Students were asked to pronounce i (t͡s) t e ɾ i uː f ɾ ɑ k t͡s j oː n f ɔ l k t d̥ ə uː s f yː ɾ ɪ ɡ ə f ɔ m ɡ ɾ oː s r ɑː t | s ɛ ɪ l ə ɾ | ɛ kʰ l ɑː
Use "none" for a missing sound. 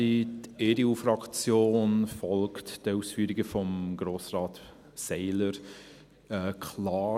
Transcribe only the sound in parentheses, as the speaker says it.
none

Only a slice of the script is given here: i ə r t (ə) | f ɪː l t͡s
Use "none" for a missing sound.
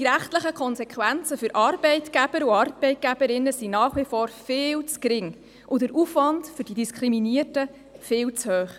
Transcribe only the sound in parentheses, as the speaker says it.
ə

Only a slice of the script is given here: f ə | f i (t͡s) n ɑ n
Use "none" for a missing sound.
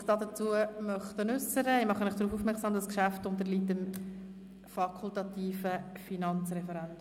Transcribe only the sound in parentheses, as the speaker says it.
none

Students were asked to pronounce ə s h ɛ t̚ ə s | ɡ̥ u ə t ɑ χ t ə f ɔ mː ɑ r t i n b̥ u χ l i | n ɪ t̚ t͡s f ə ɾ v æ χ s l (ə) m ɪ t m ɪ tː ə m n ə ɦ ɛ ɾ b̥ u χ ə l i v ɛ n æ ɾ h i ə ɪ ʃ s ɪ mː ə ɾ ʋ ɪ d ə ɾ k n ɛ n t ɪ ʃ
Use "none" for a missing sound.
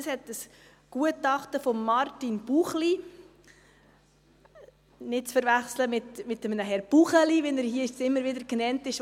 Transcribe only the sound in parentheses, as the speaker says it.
ə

